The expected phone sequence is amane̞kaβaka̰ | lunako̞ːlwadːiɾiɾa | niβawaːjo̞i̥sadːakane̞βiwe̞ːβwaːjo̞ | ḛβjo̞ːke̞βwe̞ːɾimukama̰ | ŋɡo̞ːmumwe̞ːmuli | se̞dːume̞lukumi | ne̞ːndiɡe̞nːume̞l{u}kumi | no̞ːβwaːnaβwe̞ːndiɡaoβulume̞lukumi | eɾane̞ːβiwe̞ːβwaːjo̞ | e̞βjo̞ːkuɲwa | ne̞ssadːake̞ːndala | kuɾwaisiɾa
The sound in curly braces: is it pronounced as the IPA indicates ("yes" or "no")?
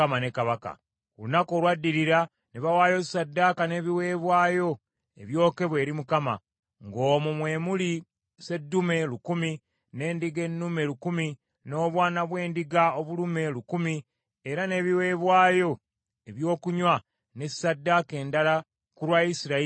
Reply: yes